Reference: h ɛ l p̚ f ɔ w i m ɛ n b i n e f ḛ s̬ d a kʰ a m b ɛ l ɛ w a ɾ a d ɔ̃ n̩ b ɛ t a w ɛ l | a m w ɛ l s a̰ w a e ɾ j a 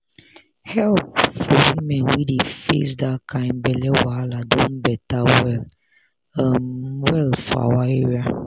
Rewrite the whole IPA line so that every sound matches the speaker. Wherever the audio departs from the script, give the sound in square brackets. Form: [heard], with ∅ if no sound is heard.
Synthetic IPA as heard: h ɛ l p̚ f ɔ w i m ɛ n [w] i [d] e f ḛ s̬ d a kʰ a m b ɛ l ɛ w a [l] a d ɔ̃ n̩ b ɛ t a w ɛ l | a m w ɛ l [f] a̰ w a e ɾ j a